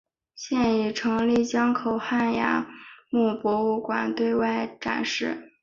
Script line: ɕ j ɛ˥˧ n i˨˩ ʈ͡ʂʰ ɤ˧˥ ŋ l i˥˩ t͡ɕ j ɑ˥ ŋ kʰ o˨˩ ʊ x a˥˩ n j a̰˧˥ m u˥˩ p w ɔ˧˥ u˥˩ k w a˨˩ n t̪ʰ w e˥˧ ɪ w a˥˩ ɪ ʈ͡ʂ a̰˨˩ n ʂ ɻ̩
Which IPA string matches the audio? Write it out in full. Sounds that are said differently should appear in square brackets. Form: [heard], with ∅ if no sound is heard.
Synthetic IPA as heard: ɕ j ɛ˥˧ n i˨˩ ʈ͡ʂʰ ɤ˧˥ ŋ l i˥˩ t͡ɕ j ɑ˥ ŋ kʰ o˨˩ ʊ x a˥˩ n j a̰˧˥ m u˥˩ p w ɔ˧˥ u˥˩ k w a˨˩ n [t̪] w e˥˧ ɪ w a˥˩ ɪ ʈ͡ʂ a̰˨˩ n ʂ ɻ̩